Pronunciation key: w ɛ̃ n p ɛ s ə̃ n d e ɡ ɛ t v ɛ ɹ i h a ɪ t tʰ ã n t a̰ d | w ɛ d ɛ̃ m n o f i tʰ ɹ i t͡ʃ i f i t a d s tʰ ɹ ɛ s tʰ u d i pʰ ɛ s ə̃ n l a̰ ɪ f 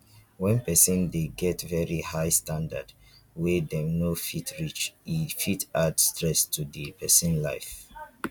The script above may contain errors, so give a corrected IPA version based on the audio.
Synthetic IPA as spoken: w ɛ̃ n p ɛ s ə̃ n d e ɡ ɛ t v ɛ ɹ i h a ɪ s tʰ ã n d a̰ d | w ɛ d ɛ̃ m n o f i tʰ ɹ i t͡ʃ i f i t a d s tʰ ɹ ɛ s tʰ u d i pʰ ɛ s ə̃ n l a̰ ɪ f